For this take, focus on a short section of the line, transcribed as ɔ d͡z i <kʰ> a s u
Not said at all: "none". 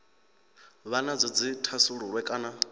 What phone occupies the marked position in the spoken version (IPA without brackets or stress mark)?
tʰ